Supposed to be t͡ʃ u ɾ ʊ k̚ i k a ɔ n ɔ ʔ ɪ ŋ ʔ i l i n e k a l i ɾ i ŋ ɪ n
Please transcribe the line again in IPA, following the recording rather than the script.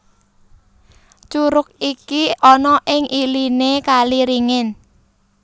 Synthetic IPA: t͡ʃ u ɾ ʊ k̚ i k i ɔ n ɔ ʔ ɪ ŋ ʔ i l i n e k a l i ɾ i ŋ ɪ n